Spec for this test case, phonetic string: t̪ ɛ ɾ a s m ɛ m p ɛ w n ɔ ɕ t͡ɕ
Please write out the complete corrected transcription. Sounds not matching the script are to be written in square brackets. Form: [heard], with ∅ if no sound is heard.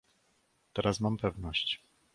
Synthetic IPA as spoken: t̪ ɛ ɾ a s m [a] m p ɛ [v] n ɔ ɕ t͡ɕ